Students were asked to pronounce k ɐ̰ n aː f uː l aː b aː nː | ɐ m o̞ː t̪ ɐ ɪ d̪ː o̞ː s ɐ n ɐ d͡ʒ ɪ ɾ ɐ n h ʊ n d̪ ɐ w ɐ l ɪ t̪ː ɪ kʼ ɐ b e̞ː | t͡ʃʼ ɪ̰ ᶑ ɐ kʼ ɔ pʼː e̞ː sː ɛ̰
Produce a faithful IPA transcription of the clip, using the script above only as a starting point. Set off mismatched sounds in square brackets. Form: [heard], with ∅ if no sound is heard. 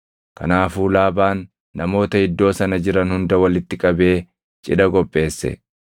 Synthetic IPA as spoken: k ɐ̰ n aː f uː l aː b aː nː | ɐ m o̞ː t̪ ɐ ɪ d̪ː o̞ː s ɐ n ɐ d͡ʒ ɪ ɾ ɐ n h ʊ n d̪ ɐ w ɐ l ɪ t̪ː ɪ kʼ ɐ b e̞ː | t͡ʃʼ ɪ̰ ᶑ ɐ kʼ ɔ pʼː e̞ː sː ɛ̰